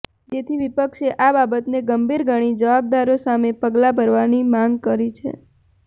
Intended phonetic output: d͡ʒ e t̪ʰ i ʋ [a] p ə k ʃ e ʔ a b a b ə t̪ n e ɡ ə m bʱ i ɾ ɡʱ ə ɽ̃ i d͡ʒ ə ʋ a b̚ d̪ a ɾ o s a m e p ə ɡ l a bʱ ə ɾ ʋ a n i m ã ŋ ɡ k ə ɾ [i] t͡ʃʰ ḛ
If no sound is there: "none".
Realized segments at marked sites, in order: i, i

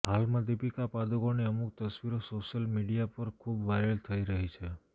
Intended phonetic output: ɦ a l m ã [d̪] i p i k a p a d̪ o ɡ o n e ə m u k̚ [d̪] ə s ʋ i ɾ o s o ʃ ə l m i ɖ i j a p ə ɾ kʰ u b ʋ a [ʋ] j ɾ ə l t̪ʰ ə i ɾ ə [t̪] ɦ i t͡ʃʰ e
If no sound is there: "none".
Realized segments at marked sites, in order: d̪, t̪, none, none

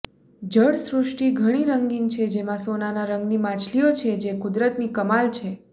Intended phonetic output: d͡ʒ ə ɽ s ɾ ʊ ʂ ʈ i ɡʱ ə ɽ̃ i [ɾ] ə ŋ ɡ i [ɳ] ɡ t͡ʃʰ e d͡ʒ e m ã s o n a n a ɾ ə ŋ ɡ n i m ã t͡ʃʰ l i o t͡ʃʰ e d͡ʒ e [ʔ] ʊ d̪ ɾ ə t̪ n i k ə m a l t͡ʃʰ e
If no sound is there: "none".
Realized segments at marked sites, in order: ɾ, ŋ, k

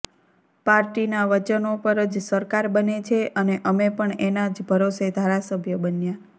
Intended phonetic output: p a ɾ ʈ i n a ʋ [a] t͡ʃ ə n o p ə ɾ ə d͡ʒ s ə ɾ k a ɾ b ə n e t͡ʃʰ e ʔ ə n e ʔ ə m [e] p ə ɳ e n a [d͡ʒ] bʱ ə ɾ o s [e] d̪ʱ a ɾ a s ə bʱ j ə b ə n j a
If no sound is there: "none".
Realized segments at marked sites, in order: ə, e, d͡ʒ, e

